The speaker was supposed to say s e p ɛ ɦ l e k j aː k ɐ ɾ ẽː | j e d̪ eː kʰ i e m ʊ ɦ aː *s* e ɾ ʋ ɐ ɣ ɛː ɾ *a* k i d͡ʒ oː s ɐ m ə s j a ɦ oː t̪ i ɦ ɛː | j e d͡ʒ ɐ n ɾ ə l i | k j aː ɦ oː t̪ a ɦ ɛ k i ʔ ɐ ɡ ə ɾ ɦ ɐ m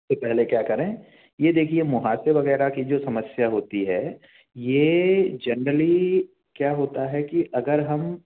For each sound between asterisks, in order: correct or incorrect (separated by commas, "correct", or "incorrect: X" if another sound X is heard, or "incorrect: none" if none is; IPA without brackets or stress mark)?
correct, correct